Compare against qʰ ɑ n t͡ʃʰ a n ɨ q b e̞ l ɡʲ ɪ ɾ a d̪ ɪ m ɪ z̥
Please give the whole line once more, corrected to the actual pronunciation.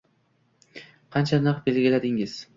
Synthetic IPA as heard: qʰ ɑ n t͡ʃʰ a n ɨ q b e̞ l ɡʲ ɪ l a d̪ ɪ ŋ ɪ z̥